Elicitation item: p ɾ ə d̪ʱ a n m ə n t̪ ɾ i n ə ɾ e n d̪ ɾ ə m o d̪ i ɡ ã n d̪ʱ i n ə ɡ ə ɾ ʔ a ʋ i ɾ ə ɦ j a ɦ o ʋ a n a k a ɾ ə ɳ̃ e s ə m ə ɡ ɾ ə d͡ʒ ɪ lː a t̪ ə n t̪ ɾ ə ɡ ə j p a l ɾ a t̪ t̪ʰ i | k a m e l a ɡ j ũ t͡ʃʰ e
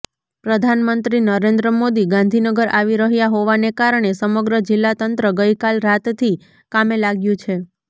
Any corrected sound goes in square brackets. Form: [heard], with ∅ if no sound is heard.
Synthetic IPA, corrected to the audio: p ɾ ə d̪ʱ a n m ə n t̪ ɾ i n ə ɾ e n d̪ ɾ ə m o d̪ i ɡ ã n d̪ʱ i n ə ɡ ə ɾ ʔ a ʋ i ɾ ə ɦ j a ɦ o ʋ a n [e] k a ɾ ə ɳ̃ e s ə m ə ɡ ɾ ə d͡ʒ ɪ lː a t̪ ə n t̪ ɾ ə ɡ ə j [k] a l ɾ a t̪ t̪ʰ i | k a m e l a ɡ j ũ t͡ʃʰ e